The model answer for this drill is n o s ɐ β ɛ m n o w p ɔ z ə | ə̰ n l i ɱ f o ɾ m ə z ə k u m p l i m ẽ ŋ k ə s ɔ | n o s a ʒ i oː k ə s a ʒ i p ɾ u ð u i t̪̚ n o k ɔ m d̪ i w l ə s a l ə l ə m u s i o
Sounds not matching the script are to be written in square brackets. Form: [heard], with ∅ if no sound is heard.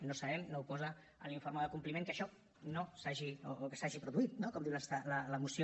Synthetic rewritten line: n o s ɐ β ɛ m n o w p ɔ z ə | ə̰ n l i ɱ f o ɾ m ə [ð] ə k u m p l i m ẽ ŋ k ə [ʃ] ɔ | n o s a ʒ i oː k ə s a ʒ i p ɾ u ð u i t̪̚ n o k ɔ m d̪ i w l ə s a l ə l ə m u s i o